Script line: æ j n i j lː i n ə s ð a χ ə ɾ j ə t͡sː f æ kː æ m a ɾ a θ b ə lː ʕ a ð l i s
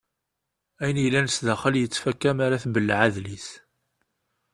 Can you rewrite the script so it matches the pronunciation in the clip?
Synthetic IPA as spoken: æ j n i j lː æ n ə s ð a χ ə l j ə t͡sː f æ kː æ m a ɾ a θ b ə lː ʕ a ð l i s